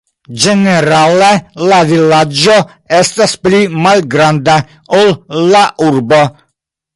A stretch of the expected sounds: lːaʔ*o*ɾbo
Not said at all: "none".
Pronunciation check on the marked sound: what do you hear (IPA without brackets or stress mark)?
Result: u